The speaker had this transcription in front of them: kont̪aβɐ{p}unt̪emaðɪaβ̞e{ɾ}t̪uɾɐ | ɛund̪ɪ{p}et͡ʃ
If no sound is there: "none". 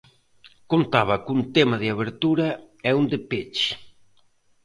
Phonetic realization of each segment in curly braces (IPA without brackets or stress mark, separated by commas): k, ɾ, p